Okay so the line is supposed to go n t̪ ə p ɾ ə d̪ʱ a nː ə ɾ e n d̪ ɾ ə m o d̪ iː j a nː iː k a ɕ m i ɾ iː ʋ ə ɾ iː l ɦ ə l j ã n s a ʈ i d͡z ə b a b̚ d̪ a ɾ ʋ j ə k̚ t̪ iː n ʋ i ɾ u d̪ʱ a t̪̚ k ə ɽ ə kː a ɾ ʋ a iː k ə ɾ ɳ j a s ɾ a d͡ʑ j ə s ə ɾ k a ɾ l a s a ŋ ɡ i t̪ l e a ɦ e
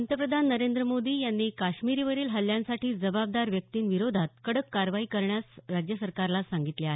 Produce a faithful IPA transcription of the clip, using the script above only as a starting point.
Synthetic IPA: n t̪ ə p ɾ ə d̪ʱ a nː ə ɾ e n d̪ ɾ ə m o d̪ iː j a nː iː k a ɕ m i ɾ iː ʋ ə ɾ iː l ɦ ə l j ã n s a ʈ iː d͡z ə b a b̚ d̪ a ɾ ʋ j ə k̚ t̪ iː n ʋ i ɾ o d̪ʱ a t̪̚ k ə ɽ ə kː a ɾ ʋ a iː k ə ɾ ɳ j a s ɾ a d͡ʑ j ə s ə ɾ k a ɾ l a s a ŋ ɡ i t̪ l e a ɦ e